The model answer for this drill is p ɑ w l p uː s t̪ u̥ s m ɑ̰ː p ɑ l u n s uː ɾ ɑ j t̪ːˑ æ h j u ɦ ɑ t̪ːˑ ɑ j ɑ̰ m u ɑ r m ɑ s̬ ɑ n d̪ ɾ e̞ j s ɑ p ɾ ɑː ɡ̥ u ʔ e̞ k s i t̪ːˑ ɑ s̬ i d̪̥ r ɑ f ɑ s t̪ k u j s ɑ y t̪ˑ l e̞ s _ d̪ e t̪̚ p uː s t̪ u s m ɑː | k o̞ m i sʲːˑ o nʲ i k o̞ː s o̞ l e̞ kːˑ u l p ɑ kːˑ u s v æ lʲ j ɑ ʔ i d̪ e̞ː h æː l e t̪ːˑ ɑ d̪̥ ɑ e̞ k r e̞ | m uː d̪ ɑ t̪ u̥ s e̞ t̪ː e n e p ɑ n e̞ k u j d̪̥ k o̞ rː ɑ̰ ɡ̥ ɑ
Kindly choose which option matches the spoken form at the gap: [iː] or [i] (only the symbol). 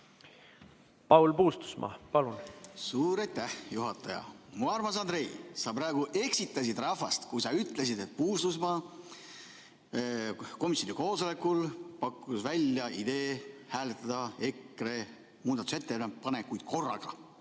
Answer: i